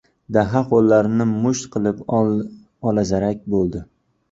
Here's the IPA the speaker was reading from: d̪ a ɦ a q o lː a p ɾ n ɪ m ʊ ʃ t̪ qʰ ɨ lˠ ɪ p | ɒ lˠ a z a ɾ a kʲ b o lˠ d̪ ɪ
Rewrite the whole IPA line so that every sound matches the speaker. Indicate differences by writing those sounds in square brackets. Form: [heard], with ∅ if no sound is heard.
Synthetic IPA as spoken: d̪ a ɦ a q o lː a [∅] ɾ n ɪ m ʊ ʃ t̪ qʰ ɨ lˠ ɪ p | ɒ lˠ a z a ɾ a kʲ b o lˠ d̪ ɪ